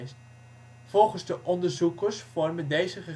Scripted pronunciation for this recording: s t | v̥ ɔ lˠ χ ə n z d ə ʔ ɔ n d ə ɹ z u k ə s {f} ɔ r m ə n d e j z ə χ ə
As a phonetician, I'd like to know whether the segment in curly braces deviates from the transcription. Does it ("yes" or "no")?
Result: no